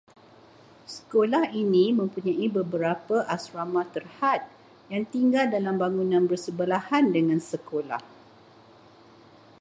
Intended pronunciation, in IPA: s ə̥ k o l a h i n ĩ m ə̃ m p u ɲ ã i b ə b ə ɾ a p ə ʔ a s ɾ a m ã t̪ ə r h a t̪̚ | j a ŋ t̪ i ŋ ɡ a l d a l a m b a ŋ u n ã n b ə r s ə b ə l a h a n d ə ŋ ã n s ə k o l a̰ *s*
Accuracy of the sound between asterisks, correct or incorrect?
incorrect